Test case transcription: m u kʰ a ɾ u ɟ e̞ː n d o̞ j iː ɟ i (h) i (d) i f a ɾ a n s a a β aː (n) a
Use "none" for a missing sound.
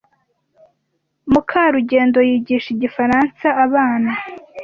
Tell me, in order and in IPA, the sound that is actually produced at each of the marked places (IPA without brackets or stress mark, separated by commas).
ʃ, ɟ, n